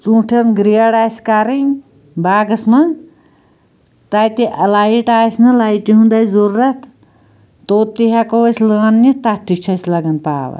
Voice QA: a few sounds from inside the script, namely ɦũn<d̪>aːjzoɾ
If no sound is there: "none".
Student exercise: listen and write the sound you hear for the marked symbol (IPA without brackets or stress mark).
d̪